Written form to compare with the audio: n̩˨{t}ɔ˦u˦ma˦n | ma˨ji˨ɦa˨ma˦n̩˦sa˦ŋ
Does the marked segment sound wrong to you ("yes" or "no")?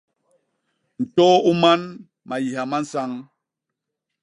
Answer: no